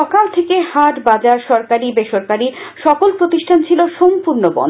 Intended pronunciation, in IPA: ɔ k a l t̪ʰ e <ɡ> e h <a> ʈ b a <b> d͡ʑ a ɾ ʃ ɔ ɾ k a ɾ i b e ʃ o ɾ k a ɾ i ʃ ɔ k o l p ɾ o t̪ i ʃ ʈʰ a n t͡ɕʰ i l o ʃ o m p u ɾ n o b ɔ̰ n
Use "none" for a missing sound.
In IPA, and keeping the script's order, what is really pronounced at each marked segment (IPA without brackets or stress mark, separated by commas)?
k, a, none